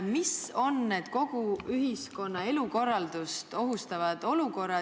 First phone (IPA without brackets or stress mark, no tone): m